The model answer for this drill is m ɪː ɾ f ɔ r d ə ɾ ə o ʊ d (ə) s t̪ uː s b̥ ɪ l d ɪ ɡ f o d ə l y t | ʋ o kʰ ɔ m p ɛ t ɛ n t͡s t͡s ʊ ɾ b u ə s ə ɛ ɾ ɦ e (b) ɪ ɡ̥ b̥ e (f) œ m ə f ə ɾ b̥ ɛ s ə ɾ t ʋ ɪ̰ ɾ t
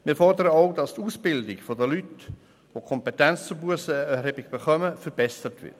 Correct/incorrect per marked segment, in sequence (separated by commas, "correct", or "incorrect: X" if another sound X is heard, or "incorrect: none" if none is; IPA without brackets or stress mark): incorrect: ɑ, correct, incorrect: χ